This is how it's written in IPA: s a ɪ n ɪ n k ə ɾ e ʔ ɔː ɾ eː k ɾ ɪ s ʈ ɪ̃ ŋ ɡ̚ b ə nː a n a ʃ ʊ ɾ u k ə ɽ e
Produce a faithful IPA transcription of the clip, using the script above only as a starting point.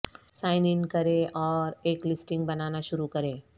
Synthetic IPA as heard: s a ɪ n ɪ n k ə ɾ e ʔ ɔː ɾ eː k l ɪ s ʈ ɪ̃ ŋ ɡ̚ b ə n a n a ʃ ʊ ɾ u k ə ɾ e